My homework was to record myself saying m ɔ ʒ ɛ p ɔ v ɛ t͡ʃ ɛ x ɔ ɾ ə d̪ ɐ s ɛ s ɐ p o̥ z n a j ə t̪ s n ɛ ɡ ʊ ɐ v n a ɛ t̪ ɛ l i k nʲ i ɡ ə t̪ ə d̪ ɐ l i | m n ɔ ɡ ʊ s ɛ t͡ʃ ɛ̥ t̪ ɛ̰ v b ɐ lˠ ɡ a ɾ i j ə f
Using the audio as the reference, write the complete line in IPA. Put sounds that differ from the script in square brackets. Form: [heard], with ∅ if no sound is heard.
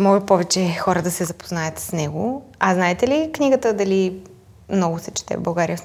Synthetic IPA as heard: m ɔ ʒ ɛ p ɔ v ɛ t͡ʃ ɛ x ɔ ɾ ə d̪ ɐ s ɛ [z] ɐ p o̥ z n a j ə t̪ s n ɛ ɡ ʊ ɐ [z] n a ɛ t̪ ɛ l i k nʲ i ɡ ə t̪ ə d̪ ɐ l i | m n ɔ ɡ ʊ s ɛ t͡ʃ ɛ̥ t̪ ɛ̰ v b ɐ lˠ ɡ a ɾ i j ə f